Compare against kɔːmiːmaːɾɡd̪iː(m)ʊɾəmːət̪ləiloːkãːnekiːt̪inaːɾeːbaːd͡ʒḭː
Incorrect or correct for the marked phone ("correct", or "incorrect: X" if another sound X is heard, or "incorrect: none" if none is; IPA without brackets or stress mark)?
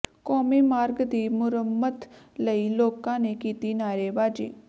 correct